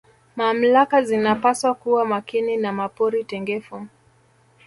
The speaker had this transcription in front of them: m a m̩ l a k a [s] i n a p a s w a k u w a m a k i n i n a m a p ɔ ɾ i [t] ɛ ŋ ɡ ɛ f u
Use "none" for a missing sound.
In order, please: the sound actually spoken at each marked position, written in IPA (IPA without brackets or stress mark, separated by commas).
z, t